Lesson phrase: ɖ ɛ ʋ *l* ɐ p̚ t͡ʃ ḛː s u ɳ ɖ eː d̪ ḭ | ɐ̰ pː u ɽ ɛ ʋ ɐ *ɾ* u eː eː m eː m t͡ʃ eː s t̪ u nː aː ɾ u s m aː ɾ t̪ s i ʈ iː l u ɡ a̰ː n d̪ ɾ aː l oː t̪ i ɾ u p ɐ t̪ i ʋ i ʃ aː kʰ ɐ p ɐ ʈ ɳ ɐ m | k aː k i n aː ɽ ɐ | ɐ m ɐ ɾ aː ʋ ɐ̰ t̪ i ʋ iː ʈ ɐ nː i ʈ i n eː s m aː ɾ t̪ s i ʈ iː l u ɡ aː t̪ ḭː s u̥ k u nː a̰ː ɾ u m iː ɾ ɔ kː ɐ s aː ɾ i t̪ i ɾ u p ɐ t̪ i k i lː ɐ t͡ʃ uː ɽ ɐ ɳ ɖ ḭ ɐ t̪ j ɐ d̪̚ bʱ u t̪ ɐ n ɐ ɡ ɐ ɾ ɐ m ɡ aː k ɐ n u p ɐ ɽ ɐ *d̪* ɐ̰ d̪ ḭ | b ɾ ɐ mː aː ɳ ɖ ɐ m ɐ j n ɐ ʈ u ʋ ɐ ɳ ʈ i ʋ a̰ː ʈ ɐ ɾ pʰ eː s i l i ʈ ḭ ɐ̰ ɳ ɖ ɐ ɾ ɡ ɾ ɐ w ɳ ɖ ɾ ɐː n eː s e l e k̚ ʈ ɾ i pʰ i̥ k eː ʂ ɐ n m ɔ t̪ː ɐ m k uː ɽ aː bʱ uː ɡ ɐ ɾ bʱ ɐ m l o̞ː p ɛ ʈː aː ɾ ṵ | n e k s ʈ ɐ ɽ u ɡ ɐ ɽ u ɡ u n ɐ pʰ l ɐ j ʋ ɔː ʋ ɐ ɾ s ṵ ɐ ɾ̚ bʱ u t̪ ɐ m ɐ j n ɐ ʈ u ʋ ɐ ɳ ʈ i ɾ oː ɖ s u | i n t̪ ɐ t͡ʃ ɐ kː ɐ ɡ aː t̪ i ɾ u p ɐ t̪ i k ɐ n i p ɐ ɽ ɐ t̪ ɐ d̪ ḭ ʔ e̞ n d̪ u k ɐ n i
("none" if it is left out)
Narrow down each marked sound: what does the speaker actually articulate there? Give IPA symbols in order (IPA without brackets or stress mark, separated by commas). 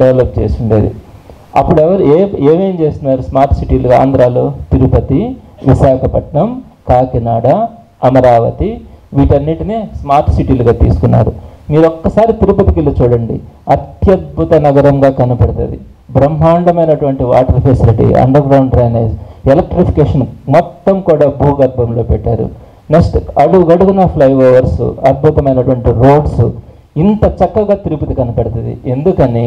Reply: l, ɾ, t̪